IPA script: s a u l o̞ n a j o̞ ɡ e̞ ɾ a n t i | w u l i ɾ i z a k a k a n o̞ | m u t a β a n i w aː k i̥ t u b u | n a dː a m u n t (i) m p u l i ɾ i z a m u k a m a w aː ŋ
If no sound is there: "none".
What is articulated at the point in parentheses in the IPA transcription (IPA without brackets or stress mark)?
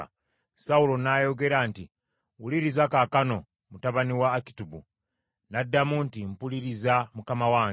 i